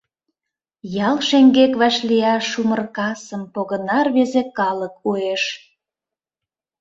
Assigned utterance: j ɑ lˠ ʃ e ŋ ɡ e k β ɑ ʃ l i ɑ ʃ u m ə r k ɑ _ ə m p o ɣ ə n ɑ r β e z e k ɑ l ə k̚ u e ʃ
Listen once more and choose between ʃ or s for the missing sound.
s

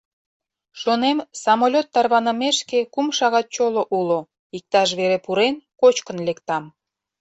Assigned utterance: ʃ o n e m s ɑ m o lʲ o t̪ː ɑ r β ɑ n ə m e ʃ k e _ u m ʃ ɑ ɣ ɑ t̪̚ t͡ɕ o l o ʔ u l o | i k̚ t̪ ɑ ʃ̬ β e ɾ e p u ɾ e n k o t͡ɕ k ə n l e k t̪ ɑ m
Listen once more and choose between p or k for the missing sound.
k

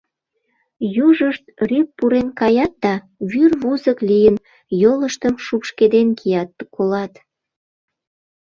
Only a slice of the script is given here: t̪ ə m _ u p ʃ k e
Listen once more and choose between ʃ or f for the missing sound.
ʃ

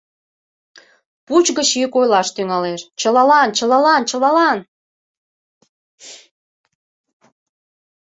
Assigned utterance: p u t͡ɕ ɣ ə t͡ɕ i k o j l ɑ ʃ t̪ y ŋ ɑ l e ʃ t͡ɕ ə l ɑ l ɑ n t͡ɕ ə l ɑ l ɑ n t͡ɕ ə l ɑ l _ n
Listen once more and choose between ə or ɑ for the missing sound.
ɑ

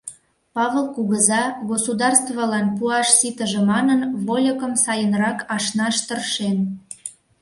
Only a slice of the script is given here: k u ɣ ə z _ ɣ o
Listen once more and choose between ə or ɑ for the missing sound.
ɑ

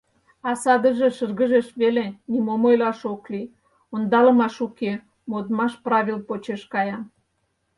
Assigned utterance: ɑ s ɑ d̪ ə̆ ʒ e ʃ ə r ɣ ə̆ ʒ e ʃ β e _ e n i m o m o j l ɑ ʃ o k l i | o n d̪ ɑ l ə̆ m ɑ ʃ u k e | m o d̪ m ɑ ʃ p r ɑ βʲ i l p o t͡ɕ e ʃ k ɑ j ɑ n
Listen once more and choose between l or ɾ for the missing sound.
l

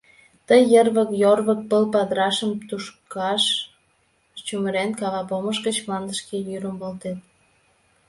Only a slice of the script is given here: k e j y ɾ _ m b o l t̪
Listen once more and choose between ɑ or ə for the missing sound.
ə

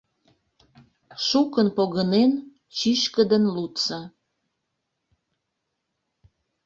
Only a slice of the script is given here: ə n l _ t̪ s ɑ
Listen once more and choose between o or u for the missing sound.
u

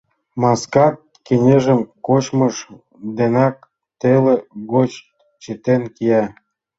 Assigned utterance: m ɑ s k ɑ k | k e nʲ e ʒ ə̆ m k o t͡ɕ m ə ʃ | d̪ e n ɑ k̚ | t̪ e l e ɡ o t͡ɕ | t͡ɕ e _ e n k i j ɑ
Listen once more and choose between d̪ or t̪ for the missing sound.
t̪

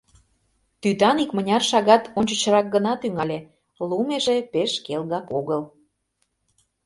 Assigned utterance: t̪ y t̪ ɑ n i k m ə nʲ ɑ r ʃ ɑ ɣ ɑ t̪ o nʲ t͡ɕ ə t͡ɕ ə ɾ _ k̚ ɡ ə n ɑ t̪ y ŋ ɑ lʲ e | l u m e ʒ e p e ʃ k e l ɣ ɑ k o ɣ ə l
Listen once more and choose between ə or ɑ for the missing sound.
ɑ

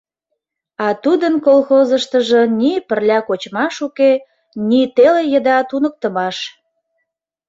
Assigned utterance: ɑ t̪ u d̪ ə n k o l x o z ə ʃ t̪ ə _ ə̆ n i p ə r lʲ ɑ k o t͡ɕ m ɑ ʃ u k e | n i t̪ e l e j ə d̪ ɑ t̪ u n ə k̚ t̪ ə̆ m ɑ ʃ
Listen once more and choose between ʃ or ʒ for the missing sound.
ʒ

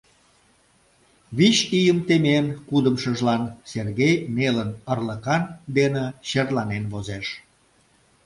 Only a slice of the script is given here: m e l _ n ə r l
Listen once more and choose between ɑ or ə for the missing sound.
ə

